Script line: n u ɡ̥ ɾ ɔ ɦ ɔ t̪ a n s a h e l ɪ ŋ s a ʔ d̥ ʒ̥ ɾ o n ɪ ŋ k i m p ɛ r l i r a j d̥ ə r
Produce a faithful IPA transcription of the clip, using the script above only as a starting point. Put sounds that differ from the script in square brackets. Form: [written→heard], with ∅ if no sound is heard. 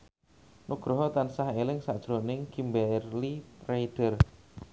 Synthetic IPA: n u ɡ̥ ɾ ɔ ɦ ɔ t̪ a n s a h e l ɪ ŋ s a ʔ d̥ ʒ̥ ɾ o n ɪ ŋ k i m [p→b] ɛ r l i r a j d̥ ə r